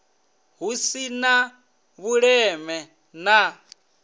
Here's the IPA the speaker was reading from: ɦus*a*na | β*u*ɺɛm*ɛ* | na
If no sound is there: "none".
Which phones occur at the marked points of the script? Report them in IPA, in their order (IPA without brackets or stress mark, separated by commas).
i, u, ɛ